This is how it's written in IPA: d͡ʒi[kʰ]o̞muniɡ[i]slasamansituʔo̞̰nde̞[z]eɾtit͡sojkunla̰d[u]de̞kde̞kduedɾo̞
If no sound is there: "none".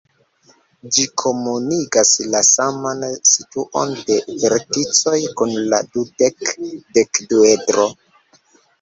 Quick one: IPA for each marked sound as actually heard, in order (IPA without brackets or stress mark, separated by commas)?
kʰ, a, v, u